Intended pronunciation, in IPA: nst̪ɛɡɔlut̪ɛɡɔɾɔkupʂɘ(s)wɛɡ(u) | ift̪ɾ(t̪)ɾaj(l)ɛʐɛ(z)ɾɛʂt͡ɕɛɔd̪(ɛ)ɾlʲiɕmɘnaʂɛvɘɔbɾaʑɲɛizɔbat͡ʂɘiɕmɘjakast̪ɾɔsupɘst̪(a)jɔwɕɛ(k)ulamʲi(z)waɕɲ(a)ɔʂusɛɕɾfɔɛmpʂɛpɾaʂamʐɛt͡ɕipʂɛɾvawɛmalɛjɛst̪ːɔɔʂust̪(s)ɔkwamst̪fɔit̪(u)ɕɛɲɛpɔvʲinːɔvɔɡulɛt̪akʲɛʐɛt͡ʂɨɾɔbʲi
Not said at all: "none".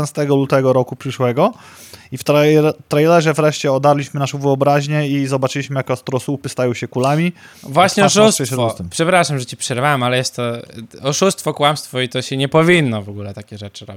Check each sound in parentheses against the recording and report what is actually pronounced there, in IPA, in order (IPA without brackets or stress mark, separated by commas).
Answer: ʂ, ɔ, t̪, l, v, a, a, k, v, ɛ, f, ɔ